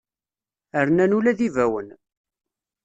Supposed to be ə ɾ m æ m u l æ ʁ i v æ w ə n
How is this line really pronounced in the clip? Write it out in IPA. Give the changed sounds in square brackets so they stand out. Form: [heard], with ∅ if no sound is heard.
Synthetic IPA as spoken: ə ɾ [n] æ [n] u l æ [ð] i v æ w ə n